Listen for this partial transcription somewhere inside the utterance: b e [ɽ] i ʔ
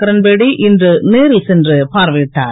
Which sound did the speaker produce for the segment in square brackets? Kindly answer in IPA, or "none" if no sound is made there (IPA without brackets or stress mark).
ɽ